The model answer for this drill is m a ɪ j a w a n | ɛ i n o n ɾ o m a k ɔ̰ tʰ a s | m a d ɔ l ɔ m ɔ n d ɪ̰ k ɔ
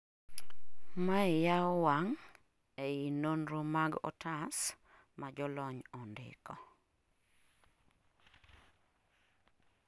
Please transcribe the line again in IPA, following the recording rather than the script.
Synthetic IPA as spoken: m a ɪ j a w a ŋ | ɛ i n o n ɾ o m a ɡ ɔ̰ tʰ a s | m a d͡ʒ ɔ l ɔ ɲ ɔ n d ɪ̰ k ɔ